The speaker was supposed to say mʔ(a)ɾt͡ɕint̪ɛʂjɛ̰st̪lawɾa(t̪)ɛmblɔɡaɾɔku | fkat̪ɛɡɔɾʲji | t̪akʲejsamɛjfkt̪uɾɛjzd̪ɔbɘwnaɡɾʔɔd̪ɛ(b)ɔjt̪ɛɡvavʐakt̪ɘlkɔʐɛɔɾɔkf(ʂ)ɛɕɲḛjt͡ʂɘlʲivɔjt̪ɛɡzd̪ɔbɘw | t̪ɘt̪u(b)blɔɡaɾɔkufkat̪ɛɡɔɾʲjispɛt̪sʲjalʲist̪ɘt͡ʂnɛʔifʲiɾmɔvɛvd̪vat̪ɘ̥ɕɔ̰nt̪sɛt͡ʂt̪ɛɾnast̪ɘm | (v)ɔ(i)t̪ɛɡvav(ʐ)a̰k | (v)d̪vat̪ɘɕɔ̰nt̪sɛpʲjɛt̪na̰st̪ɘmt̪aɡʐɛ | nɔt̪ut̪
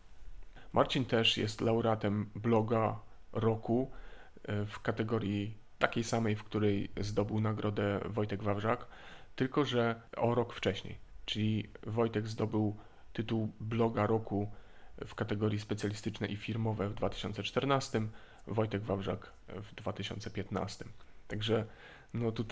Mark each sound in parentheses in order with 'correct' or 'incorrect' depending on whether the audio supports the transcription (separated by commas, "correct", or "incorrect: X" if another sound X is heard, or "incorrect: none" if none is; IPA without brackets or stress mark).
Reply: correct, correct, incorrect: v, incorrect: t͡ʂ, incorrect: w, correct, incorrect: j, correct, correct